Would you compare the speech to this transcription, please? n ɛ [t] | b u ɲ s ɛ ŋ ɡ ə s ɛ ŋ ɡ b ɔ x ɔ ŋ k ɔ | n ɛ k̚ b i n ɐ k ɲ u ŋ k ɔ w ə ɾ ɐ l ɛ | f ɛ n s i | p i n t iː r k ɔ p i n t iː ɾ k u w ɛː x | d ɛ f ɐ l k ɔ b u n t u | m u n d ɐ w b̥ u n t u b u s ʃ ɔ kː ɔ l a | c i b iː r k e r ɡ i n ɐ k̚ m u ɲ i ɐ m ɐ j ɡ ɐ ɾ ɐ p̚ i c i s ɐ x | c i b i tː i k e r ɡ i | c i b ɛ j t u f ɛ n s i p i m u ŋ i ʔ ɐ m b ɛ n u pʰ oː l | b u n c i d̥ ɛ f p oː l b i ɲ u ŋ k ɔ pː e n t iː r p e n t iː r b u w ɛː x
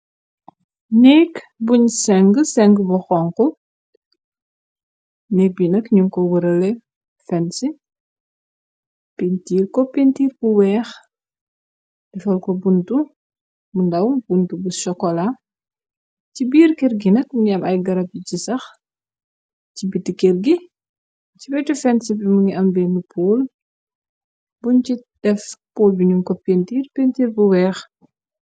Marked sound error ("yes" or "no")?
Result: yes